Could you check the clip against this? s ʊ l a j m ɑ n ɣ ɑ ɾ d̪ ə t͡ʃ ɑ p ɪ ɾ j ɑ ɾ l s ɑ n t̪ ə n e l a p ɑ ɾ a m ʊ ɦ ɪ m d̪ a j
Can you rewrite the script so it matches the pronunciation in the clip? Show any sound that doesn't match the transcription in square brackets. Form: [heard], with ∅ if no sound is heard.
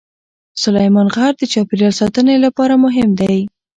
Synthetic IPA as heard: s ʊ l a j m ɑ n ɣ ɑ ɾ d̪ ə t͡ʃ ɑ p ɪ ɾ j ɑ [∅] l s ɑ [∅] t̪ ə n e l a p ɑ ɾ a m ʊ ɦ ɪ m d̪ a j